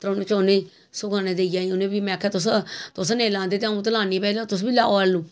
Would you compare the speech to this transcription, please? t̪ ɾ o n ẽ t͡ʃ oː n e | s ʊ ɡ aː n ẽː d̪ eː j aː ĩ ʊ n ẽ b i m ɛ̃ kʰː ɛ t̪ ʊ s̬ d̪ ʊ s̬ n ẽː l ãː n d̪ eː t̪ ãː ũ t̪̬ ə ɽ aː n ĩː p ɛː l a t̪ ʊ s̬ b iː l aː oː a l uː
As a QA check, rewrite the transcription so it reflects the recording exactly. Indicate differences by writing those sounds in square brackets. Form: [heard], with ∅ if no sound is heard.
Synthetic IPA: t̪ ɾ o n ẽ t͡ʃ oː n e | s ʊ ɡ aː n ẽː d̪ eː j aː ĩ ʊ n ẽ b i m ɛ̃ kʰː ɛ t̪ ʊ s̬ [t̪] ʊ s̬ n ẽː l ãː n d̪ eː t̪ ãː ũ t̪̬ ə [l] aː n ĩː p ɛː l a t̪ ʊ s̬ b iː l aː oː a l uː